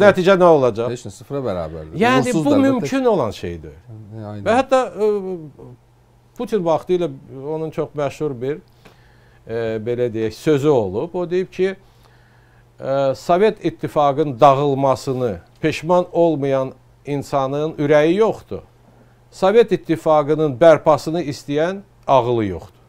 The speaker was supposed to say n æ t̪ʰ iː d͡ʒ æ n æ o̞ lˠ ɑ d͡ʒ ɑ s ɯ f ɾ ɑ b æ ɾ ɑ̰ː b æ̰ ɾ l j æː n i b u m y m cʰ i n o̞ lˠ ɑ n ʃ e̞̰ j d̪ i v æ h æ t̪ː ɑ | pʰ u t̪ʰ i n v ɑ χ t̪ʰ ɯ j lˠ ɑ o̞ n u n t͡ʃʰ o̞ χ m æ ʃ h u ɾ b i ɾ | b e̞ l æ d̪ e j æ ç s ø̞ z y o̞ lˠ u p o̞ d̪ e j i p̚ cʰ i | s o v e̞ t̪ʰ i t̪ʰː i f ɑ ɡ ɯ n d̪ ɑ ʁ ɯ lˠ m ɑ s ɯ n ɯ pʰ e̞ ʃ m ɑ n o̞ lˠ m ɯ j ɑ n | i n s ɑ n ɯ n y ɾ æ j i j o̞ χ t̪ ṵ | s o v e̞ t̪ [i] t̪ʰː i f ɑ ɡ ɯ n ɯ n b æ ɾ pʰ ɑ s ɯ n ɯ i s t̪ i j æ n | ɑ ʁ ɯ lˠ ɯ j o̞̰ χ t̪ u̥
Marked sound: correct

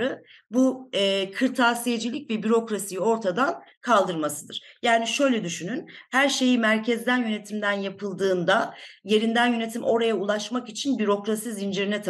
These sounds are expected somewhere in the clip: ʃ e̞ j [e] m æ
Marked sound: incorrect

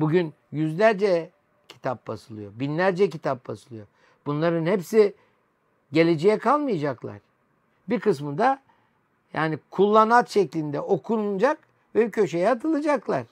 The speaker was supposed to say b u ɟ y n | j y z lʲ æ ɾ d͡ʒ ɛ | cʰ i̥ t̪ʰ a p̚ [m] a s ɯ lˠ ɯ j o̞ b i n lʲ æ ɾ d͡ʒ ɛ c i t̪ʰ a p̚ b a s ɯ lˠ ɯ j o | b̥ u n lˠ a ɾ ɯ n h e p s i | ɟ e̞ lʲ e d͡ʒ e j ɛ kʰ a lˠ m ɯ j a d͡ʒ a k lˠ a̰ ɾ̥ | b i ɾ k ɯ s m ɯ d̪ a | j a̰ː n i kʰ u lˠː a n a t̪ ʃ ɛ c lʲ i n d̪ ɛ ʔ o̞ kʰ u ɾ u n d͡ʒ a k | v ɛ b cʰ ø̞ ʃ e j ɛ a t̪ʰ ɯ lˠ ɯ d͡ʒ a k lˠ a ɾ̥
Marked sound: incorrect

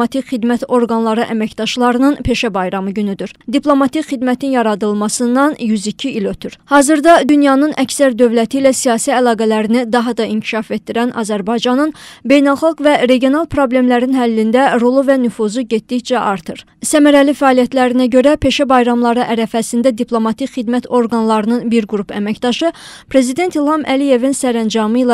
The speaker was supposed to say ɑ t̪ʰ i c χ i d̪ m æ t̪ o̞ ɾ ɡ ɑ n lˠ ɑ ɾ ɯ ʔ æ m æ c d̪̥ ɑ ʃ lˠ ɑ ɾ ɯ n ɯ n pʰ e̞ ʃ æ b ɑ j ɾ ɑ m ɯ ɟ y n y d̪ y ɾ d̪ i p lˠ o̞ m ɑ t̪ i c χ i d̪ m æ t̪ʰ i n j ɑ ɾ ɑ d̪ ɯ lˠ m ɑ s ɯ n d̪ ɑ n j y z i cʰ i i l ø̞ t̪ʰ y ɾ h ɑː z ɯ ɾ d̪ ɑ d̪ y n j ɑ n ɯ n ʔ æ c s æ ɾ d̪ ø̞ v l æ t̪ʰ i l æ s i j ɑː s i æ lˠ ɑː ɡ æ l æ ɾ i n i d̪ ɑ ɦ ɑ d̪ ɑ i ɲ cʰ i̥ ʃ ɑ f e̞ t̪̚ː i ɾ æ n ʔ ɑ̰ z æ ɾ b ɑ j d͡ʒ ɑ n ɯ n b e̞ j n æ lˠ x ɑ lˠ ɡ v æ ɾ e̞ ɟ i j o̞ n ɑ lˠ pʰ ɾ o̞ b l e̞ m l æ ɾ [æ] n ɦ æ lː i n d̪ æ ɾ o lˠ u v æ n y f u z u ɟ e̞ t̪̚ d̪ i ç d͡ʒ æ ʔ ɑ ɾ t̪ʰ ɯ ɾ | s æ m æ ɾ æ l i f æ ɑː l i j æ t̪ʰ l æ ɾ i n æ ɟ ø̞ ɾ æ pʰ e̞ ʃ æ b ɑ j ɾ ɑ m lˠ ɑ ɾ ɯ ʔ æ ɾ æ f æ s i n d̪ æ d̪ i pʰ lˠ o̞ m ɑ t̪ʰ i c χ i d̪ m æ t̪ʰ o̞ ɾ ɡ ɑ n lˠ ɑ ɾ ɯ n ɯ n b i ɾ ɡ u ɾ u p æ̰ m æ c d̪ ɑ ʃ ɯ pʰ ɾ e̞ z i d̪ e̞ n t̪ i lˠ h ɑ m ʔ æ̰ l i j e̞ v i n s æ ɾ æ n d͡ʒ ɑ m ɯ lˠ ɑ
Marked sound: incorrect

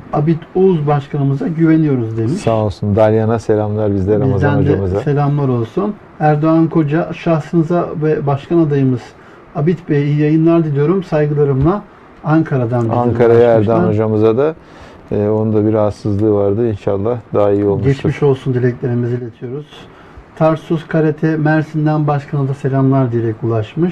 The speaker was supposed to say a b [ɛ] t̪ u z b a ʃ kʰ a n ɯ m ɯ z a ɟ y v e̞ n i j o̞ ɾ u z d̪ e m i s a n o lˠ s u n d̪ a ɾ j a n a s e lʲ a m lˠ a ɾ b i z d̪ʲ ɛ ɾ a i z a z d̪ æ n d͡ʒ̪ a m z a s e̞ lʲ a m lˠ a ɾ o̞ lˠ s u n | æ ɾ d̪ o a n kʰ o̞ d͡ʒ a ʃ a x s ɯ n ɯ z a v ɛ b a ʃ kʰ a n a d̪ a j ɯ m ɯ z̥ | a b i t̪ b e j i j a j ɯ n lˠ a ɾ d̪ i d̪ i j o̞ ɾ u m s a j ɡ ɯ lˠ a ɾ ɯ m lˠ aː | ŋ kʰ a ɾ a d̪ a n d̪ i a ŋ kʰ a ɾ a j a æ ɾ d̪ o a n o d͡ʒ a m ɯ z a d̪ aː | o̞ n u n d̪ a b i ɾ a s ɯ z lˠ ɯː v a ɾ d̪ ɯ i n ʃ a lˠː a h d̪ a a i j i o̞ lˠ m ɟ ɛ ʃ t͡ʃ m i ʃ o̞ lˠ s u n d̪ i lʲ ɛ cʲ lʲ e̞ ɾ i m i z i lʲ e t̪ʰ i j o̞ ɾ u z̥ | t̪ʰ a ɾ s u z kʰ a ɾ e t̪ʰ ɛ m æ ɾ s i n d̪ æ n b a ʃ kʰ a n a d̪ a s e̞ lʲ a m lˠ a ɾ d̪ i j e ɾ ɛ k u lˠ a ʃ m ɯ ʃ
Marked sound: incorrect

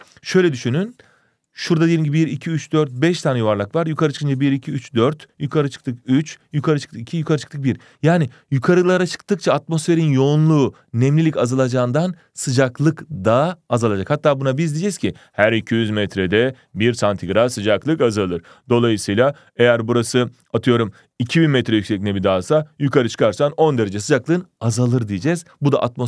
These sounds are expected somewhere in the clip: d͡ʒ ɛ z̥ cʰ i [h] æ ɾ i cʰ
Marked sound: correct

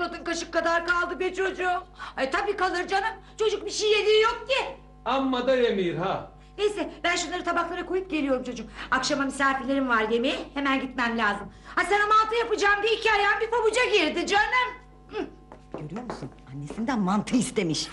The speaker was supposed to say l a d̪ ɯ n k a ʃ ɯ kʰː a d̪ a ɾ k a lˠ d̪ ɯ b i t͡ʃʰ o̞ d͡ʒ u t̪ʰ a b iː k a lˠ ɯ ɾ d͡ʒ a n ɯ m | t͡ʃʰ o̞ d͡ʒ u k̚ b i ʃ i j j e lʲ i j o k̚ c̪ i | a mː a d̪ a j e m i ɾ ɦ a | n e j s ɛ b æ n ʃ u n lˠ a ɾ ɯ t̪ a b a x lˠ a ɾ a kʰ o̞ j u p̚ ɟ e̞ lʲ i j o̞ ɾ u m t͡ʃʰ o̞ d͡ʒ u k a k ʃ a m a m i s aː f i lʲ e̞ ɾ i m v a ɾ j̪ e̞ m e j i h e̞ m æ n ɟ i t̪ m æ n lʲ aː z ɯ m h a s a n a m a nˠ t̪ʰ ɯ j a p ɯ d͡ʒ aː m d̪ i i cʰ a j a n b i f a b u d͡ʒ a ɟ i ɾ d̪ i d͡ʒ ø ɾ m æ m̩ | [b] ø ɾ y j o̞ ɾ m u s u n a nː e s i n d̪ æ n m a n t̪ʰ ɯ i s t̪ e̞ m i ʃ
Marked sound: incorrect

